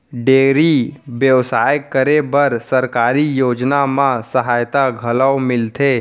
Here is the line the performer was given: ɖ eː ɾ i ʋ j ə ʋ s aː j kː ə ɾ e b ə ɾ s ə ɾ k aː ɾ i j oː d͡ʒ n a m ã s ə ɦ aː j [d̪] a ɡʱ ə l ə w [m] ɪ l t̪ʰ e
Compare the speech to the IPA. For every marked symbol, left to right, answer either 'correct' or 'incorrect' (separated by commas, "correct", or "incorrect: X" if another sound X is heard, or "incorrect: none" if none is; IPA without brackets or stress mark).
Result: incorrect: t̪, correct